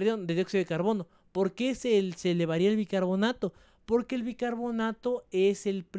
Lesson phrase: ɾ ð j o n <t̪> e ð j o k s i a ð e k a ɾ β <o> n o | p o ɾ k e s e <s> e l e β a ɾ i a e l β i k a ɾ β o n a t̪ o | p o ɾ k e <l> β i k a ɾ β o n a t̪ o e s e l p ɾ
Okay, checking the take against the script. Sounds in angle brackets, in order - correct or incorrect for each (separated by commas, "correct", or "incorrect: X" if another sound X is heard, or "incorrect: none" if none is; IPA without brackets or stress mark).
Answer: incorrect: d̪, correct, correct, correct